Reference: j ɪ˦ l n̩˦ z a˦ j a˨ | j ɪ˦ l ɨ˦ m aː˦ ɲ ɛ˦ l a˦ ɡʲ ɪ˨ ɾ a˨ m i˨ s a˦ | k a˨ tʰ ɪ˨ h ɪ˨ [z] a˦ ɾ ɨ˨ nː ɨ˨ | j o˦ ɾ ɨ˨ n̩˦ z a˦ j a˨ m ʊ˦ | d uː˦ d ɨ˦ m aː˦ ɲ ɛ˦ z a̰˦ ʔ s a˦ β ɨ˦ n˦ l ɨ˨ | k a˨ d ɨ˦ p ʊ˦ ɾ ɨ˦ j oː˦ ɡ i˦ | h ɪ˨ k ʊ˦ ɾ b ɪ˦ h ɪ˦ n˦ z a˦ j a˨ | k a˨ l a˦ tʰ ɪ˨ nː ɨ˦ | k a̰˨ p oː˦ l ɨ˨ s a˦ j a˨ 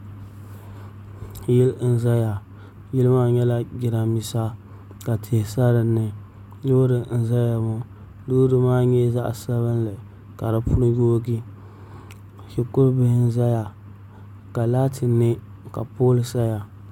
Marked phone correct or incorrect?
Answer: incorrect: s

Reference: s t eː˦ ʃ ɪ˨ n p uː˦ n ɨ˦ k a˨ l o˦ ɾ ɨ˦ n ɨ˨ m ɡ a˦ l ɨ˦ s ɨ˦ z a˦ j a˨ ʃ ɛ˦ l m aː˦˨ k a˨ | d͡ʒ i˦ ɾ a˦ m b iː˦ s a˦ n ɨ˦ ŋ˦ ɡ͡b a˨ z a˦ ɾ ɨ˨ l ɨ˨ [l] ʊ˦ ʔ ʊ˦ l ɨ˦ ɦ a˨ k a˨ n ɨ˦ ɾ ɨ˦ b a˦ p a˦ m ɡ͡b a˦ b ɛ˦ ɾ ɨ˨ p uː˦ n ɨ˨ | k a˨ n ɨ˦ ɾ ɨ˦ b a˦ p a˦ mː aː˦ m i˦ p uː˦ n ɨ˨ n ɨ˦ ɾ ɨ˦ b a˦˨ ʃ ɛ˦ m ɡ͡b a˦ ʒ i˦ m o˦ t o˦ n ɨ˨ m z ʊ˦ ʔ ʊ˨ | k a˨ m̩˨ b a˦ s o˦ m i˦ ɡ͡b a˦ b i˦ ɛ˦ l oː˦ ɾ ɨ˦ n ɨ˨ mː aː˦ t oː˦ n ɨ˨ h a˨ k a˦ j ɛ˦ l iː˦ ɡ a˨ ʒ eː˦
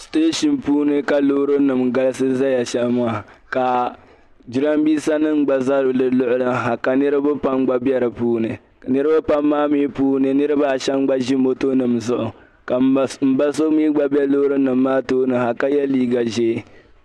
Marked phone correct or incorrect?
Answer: correct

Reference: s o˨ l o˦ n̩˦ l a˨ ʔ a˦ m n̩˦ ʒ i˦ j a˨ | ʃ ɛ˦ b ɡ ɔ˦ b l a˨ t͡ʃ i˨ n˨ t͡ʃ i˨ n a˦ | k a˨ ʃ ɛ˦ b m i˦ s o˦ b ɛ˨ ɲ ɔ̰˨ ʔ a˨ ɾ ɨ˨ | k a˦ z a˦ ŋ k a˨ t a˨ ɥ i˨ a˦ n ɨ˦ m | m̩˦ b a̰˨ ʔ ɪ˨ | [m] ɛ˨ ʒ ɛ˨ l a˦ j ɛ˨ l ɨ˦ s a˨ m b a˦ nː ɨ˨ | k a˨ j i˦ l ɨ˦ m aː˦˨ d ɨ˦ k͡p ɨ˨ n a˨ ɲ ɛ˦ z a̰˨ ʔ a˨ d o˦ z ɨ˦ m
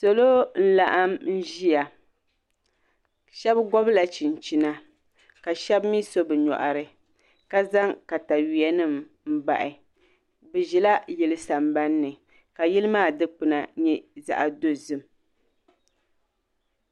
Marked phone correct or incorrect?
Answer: incorrect: b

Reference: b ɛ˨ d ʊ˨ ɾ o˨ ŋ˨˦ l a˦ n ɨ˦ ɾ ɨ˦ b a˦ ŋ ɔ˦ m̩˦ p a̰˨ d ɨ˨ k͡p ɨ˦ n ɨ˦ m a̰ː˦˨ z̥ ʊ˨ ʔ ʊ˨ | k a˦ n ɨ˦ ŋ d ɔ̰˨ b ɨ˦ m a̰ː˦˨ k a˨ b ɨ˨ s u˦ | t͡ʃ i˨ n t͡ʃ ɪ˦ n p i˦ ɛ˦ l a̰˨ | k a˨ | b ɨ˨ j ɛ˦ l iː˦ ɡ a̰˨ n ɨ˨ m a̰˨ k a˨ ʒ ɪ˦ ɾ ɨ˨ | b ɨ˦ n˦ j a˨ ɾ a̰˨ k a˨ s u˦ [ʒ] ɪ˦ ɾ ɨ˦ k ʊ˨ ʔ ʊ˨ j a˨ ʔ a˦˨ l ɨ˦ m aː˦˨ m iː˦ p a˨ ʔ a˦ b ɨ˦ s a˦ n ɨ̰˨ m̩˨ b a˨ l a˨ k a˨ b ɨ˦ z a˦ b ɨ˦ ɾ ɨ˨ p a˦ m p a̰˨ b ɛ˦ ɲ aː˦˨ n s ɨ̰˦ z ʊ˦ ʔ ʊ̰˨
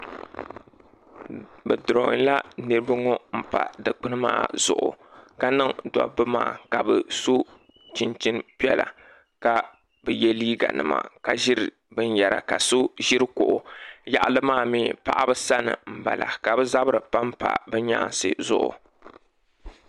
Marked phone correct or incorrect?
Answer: correct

